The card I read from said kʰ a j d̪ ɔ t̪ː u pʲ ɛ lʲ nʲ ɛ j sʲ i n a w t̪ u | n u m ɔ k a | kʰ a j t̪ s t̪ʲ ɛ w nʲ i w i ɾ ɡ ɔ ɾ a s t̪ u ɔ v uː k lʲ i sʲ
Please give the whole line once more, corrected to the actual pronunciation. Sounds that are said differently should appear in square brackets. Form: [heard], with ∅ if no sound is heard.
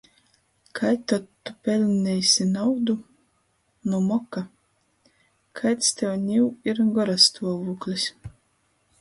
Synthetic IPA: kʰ a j [t̪] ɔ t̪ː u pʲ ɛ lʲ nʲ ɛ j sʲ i n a w [d̪] u | n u m ɔ k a | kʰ a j t̪ s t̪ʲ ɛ w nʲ i w i ɾ ɡ ɔ ɾ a s t̪ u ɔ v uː k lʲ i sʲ